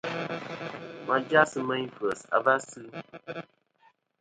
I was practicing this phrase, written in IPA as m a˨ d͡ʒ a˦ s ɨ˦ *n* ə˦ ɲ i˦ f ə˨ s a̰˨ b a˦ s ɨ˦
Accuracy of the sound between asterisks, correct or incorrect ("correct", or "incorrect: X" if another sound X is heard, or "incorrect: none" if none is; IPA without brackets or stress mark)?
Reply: incorrect: m